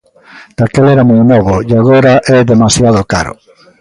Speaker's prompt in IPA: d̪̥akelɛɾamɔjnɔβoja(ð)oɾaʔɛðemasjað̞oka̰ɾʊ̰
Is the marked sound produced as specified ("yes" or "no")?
no